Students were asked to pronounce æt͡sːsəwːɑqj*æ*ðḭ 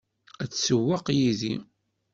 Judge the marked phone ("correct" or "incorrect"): incorrect